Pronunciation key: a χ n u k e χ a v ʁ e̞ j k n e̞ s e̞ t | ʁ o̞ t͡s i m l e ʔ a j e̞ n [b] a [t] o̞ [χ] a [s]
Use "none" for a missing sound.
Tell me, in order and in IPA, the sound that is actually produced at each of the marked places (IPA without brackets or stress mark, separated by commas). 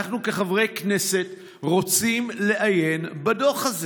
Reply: b, d, χ, z